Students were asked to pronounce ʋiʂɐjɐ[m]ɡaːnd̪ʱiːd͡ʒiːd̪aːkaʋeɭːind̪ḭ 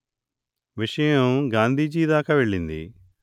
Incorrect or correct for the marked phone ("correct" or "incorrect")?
correct